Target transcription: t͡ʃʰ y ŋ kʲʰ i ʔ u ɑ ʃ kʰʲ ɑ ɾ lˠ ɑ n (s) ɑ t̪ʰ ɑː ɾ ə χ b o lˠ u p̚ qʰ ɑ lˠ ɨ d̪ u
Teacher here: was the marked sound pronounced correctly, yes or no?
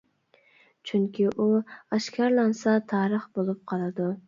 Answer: yes